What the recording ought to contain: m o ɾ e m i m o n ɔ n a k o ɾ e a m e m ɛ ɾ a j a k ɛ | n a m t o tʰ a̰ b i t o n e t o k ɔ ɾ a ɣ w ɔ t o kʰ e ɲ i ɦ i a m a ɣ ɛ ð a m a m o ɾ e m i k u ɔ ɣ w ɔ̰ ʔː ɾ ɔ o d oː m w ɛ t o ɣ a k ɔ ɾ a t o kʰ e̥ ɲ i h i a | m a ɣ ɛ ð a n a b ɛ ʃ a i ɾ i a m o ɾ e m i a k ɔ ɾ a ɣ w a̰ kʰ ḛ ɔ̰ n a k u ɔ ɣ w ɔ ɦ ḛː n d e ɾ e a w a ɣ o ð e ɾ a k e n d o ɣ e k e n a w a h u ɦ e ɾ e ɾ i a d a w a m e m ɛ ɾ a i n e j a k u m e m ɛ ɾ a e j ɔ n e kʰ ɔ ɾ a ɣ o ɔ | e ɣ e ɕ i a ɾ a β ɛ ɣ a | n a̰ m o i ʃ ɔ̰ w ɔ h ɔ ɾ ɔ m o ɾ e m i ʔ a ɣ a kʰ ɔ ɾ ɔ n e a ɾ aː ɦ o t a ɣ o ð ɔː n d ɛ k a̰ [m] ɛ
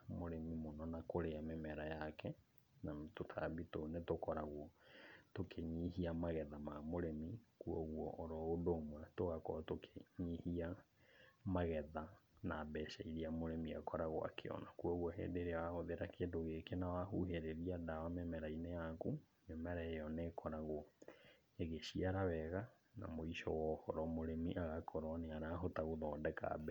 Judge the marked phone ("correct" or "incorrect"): incorrect